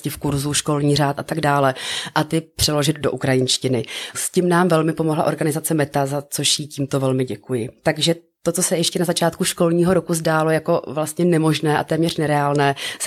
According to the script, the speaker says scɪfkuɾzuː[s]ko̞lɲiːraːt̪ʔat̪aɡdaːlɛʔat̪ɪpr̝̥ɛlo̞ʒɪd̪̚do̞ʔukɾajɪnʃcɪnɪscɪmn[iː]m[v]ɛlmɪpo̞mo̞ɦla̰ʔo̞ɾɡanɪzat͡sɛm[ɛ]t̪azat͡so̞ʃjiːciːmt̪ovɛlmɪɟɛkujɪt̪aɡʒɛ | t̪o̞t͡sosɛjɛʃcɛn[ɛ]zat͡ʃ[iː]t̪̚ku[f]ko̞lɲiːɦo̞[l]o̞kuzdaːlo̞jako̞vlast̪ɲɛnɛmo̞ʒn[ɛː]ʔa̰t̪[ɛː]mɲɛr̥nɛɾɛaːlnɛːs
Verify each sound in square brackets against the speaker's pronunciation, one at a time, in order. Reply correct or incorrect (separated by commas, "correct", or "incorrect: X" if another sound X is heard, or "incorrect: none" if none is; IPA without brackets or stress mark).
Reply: incorrect: ʃ, incorrect: aː, correct, correct, incorrect: a, incorrect: aː, incorrect: ʃ, incorrect: ɾ, correct, correct